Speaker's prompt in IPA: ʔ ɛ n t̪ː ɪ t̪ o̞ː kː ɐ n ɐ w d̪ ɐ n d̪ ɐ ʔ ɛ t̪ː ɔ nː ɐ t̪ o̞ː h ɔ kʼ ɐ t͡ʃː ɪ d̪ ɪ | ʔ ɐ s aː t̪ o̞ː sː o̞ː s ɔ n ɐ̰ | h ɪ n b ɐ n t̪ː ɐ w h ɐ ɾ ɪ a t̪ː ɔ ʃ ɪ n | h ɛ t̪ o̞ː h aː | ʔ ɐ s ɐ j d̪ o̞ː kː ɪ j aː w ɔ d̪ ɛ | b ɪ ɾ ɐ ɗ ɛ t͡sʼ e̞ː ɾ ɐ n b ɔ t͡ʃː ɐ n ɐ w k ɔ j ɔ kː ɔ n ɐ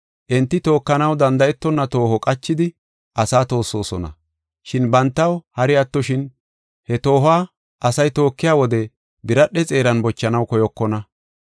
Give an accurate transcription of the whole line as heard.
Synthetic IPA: ʔ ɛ n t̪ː ɪ t̪ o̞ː kː ɐ n ɐ w d̪ ɐ n d̪ ɐ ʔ ɛ t̪ː ɔ nː ɐ t̪ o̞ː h ɔ kʼ ɐ t͡ʃː ɪ d̪ ɪ | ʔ ɐ s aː t̪ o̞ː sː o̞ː s ɔ n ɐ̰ | ʃ ɪ n b ɐ n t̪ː ɐ w h ɐ ɾ ɪ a t̪ː ɔ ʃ ɪ n | h ɛ t̪ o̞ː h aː | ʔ ɐ s ɐ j t̪ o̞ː kː ɪ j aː w ɔ d̪ ɛ | b ɪ ɾ ɐ ɗ ɛ t͡sʼ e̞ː ɾ ɐ n b ɔ t͡ʃː ɐ n ɐ w k ɔ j ɔ kː ɔ n ɐ